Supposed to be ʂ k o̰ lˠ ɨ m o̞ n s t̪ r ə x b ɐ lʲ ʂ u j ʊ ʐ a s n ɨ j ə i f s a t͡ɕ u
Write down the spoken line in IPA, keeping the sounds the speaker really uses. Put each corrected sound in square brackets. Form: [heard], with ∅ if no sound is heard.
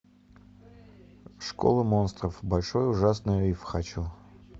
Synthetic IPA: ʂ k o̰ lˠ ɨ m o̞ n s t̪ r ə [f] b ɐ lʲ ʂ [o] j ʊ ʐ a s n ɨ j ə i f [x] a t͡ɕ u